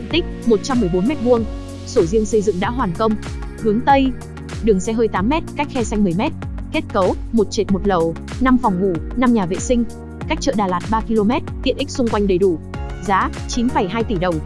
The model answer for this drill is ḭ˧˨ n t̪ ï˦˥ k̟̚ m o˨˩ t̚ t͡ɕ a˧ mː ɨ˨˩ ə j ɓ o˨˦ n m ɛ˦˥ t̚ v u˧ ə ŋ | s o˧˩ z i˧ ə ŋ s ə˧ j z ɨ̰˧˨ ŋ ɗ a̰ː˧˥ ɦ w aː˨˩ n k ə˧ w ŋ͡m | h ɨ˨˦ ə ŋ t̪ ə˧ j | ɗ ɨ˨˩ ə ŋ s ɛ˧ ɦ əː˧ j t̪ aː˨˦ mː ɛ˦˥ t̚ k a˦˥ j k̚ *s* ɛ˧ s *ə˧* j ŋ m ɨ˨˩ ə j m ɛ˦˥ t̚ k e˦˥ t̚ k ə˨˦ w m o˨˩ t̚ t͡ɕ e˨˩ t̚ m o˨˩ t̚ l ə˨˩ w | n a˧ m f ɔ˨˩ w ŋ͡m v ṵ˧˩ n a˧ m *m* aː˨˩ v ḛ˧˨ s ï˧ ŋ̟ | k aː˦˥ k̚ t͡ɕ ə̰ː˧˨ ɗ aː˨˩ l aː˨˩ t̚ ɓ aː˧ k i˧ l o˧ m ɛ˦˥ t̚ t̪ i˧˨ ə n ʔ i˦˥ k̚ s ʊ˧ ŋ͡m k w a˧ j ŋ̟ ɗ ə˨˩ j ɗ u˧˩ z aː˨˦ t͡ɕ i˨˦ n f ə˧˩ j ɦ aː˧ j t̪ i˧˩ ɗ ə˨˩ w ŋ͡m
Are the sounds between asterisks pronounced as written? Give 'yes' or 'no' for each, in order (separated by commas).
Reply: no, no, no